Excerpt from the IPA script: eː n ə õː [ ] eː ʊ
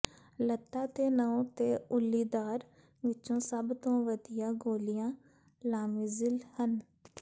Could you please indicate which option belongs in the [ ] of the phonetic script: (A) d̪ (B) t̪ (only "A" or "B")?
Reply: B